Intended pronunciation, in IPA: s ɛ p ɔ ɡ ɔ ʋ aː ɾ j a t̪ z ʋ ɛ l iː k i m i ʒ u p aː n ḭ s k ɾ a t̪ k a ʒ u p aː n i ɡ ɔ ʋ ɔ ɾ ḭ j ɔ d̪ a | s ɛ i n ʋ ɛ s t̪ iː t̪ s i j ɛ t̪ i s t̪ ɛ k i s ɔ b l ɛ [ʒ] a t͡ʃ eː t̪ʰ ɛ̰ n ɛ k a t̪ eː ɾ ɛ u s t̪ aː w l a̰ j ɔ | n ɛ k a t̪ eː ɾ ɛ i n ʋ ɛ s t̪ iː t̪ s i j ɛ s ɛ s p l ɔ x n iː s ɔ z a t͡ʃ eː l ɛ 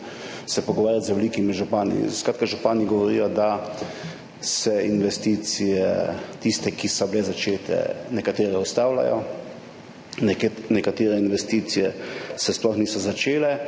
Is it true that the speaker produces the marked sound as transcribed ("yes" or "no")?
no